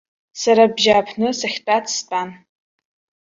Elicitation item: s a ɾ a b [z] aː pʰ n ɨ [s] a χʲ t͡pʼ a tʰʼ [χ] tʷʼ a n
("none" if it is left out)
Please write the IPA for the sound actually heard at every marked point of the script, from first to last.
ʒ, s, s

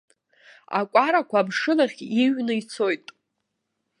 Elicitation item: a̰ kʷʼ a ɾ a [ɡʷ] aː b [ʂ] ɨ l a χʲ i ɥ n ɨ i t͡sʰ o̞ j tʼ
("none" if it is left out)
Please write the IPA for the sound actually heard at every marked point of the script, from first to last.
kʷ, ʂ

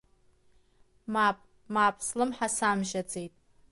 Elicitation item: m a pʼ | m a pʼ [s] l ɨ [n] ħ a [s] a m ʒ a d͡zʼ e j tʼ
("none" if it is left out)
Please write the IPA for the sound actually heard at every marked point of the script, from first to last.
s, m, s

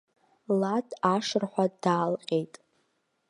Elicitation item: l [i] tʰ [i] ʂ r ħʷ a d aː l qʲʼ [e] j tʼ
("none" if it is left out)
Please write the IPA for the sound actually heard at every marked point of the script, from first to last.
a, a, e

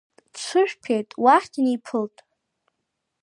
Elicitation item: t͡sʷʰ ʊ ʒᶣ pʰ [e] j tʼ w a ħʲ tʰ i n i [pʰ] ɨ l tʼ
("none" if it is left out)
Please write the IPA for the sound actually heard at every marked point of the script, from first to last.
e, pʰ

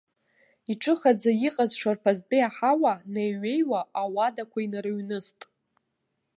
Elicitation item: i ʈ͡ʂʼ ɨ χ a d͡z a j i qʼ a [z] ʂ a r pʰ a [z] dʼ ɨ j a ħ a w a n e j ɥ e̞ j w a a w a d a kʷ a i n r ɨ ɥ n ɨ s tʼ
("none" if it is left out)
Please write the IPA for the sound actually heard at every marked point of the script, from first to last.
z, z

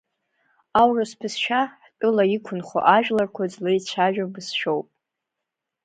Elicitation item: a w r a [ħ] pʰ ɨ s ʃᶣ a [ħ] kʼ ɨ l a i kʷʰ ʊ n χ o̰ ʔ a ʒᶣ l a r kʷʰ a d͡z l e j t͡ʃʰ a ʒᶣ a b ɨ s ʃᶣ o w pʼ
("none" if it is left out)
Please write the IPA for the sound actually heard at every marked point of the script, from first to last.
s, ħ

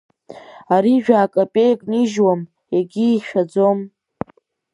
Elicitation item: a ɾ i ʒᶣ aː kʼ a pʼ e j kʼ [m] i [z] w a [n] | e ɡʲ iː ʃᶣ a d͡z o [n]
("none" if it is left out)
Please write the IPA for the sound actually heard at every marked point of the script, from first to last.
n, ʒ, m, m

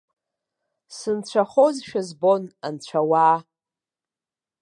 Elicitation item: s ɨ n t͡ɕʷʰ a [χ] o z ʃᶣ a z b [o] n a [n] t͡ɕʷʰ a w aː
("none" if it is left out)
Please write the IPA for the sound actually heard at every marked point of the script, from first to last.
χ, o, n

